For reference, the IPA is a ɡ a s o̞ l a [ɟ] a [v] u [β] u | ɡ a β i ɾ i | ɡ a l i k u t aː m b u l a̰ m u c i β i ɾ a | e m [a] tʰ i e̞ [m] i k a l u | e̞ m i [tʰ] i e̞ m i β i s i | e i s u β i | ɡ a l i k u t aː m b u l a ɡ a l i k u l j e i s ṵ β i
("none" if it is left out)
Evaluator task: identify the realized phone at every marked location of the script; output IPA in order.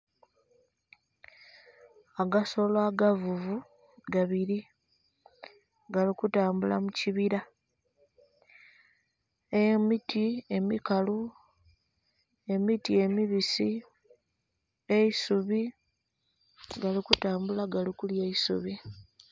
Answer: ɡ, v, v, i, m, t

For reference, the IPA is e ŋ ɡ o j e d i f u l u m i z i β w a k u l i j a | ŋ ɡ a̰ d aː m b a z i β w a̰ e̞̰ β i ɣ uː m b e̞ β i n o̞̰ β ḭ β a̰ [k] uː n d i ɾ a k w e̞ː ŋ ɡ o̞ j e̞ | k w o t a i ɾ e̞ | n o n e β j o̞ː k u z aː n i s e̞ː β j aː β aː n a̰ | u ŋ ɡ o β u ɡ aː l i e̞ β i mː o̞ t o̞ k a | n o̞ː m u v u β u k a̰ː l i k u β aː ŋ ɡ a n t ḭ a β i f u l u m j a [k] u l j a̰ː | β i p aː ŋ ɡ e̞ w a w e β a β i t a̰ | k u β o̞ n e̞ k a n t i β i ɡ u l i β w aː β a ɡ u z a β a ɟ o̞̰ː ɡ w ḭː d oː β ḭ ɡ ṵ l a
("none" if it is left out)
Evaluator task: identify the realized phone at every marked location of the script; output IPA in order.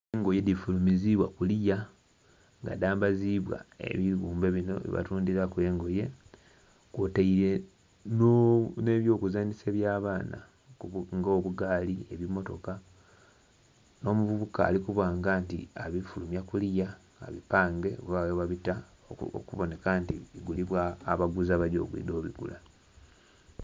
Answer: t, k

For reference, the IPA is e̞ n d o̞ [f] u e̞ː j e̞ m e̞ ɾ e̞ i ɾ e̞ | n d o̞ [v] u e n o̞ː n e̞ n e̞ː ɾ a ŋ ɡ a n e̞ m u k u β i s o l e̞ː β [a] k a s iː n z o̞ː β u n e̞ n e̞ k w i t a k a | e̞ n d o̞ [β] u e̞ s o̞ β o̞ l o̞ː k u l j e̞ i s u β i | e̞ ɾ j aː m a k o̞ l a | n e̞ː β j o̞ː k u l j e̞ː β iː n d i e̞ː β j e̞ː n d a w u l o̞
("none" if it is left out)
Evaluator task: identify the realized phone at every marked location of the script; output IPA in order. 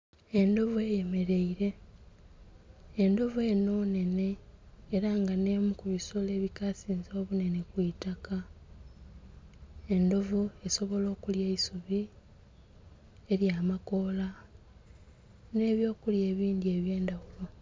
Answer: v, v, i, v

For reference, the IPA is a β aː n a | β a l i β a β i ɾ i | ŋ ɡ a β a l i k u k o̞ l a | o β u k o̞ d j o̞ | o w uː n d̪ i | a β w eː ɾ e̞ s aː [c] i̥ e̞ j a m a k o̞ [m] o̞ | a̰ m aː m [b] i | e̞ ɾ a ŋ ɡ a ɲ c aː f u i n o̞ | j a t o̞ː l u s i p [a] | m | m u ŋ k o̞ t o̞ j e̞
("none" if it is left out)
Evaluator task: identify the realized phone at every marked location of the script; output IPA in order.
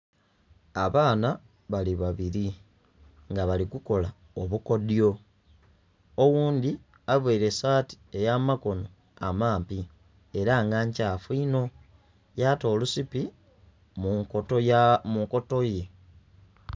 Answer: t, n, p, i

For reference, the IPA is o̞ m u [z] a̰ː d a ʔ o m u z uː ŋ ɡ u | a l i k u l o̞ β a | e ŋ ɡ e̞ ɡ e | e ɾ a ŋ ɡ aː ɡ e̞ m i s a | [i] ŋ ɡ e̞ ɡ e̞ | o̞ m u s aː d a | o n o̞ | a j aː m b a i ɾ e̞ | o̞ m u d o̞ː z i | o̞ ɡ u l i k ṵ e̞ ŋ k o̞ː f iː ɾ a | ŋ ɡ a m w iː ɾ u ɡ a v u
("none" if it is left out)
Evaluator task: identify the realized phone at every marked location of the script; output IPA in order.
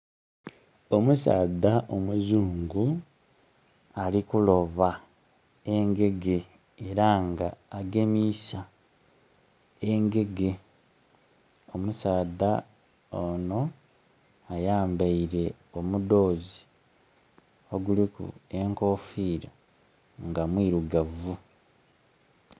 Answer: s, e

